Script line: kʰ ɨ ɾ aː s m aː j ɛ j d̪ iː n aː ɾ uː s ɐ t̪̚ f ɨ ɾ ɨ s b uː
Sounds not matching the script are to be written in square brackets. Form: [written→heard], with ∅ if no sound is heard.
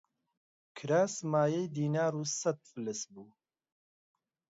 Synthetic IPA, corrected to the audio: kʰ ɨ ɾ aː s m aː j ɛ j d̪ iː n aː ɾ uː s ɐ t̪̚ f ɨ [ɾ→l] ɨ s b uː